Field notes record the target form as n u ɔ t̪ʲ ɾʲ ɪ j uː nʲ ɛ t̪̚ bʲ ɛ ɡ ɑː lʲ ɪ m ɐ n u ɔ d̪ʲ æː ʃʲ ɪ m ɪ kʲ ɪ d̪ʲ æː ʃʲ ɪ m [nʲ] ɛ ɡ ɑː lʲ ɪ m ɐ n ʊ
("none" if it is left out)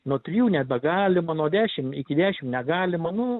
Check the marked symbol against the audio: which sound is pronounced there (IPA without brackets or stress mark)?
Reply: nʲ